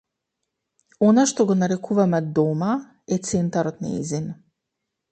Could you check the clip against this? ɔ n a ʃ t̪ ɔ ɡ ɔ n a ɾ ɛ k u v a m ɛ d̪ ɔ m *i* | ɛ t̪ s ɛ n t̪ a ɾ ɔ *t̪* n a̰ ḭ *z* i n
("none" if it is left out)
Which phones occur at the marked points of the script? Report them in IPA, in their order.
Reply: a, t̪, z

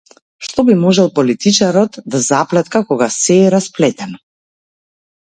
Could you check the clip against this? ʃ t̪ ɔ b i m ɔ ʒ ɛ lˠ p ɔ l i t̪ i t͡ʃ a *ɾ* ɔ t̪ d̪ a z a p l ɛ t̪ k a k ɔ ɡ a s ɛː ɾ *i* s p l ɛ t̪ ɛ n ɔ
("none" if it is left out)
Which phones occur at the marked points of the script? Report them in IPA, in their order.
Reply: ɾ, a

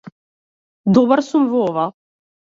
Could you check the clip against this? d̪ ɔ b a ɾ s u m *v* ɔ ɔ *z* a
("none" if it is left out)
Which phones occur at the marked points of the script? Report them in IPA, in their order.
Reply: v, v

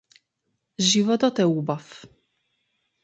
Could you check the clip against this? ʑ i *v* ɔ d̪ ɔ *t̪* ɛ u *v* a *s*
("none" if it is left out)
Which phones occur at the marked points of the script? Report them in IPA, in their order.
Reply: v, t̪, b, f

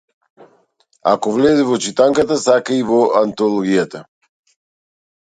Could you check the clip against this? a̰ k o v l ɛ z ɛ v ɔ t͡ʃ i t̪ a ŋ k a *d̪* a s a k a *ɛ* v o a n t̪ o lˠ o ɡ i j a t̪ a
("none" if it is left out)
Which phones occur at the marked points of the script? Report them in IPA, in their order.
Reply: t̪, i

